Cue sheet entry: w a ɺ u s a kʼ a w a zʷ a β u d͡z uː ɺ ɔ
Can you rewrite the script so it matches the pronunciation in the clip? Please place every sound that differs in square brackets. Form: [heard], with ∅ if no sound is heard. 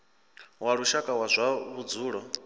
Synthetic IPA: w a ɺ u [ʃ] a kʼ a w a zʷ a β u d͡z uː ɺ ɔ